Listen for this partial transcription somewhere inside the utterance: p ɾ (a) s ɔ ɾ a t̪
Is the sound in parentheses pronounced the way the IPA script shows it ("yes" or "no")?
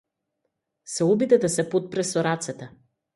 no